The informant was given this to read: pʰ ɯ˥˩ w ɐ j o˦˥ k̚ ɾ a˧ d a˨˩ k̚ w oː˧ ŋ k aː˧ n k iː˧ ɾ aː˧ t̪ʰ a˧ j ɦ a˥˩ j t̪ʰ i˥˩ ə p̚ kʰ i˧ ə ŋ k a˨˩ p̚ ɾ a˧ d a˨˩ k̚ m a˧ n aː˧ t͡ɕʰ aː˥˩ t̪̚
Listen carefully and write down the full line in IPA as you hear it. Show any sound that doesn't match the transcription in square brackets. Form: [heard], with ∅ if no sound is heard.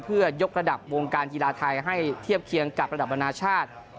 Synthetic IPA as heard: pʰ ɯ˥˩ [∅] ɐ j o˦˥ k̚ ɾ a˧ d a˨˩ [p̚] w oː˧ ŋ k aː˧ n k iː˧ [l] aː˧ t̪ʰ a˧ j ɦ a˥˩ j t̪ʰ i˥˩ ə p̚ kʰ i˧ ə ŋ k a˨˩ p̚ ɾ a˧ d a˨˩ [p̚] m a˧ n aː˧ t͡ɕʰ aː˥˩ t̪̚